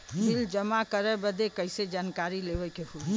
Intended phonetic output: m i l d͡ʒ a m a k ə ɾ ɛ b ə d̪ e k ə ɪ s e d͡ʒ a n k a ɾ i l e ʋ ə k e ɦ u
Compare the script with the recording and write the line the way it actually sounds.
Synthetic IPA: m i l d͡ʒ ə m a k ə ɾ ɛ b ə d̪ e k ə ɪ s e d͡ʒ a n k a ɾ i l e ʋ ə k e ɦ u